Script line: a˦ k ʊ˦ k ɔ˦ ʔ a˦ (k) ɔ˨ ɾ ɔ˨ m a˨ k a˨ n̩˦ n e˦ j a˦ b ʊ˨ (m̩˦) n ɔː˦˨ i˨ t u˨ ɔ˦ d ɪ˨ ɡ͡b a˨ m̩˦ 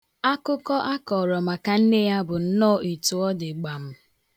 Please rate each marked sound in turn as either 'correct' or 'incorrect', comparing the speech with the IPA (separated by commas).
correct, incorrect